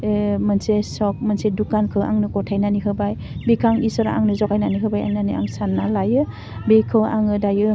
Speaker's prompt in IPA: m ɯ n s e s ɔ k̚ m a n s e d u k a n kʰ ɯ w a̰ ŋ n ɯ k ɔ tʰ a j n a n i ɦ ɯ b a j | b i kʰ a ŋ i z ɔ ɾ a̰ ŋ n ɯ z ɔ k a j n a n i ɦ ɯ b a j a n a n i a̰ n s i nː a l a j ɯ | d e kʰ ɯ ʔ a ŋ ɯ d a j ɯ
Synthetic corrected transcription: m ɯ n s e s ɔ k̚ m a n s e d u k a n kʰ ɯ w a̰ ŋ n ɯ k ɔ tʰ a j n a n i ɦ ɯ b a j | b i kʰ a ŋ i s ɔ ɾ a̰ ŋ n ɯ z ɔ k a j n a n i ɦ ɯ b a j a n a n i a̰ ŋ s a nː a l a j ɯ | b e kʰ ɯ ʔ a ŋ ɯ d a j ɯ